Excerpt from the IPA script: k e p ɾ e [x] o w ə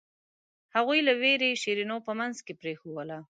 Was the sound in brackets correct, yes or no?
yes